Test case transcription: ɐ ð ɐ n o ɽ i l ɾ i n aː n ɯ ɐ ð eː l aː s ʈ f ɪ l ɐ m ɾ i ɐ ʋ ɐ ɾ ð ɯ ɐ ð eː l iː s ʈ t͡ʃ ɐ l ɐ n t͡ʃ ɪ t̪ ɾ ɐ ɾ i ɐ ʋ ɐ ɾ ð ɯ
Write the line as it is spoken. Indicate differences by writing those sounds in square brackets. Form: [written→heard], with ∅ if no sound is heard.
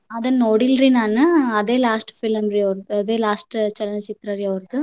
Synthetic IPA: ɐ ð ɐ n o ɽ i l ɾ i n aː n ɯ ɐ ð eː l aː s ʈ f ɪ l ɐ m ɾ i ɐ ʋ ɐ ɾ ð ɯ ɐ ð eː l [iː→aː] s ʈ t͡ʃ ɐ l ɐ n t͡ʃ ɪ t̪ ɾ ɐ ɾ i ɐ ʋ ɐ ɾ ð ɯ